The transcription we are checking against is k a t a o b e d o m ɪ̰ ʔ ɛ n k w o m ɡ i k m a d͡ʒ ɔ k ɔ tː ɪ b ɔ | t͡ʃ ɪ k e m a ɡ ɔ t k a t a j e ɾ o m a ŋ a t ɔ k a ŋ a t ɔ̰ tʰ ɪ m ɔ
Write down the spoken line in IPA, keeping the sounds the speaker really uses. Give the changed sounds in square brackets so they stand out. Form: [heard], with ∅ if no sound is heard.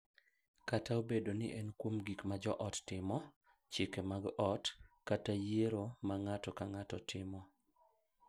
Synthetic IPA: k a t a o b e d o [n] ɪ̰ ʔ ɛ n k w o m ɡ i k m a d͡ʒ ɔ [ʔ] ɔ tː ɪ [m] ɔ | t͡ʃ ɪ k e m a ɡ ɔ t k a t a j e ɾ o m a ŋ a t ɔ k a ŋ a t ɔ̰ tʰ ɪ m ɔ

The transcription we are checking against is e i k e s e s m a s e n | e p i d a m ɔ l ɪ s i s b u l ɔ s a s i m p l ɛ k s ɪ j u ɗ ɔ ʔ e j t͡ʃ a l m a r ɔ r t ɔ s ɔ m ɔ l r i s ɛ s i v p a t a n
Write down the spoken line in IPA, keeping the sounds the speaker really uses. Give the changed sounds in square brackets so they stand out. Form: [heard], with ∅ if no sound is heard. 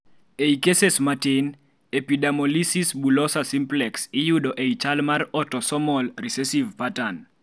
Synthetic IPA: e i k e s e s m a [t] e n | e p i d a m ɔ l [i] s i s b u l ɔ s a s i m p l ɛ k s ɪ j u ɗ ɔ ʔ e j t͡ʃ a l m a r ɔ [∅] t ɔ s ɔ m ɔ l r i s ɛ s i v p a t a n

